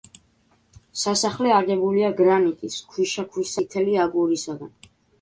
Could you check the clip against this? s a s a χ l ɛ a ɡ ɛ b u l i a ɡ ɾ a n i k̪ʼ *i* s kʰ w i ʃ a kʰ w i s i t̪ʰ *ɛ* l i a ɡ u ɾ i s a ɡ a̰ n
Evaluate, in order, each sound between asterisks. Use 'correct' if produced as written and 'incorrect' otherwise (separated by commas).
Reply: correct, correct